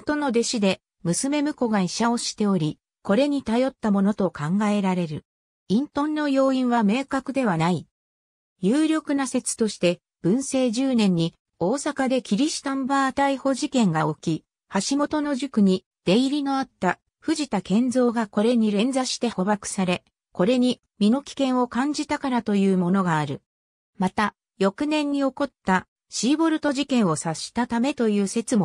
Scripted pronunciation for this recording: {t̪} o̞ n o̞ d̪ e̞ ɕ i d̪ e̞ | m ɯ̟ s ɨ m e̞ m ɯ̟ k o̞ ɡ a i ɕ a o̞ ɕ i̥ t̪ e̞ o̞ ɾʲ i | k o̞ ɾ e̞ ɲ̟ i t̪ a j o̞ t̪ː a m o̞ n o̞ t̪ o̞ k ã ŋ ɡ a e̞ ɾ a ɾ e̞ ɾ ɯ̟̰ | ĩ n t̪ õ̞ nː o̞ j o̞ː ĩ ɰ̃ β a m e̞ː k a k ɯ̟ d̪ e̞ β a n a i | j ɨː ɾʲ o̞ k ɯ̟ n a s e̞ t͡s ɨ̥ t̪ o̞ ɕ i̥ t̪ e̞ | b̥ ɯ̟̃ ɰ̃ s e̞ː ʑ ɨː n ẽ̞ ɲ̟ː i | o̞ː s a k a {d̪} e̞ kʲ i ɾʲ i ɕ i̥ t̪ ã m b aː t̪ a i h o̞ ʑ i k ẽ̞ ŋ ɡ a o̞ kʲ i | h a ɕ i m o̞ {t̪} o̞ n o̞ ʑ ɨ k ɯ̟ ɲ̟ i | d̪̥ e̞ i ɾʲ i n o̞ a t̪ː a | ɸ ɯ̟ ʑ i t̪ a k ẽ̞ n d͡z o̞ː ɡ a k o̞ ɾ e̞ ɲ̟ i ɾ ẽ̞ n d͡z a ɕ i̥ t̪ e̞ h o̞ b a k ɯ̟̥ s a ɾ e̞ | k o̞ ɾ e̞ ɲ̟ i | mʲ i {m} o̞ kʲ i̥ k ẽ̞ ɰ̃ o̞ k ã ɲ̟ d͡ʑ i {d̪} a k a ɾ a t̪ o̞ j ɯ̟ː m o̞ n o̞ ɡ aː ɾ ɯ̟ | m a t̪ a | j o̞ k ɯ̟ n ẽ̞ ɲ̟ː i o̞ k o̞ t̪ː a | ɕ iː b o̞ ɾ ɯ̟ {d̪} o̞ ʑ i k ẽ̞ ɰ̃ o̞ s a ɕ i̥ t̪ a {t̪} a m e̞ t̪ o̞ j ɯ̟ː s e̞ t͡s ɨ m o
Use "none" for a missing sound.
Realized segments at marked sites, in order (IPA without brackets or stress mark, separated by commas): t̪, d̪, t̪, n, t̪, t̪, t̪